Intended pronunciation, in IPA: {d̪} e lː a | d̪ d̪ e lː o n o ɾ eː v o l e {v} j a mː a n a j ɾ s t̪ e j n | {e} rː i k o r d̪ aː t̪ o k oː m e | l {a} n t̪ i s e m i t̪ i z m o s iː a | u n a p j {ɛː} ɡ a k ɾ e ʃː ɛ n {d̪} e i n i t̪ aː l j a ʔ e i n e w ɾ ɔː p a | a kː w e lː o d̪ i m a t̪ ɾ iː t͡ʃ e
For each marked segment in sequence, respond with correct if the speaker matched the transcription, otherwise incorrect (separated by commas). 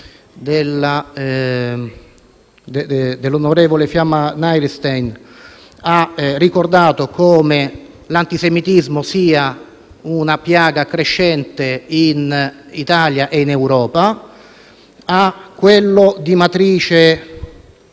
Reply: correct, incorrect, incorrect, correct, incorrect, incorrect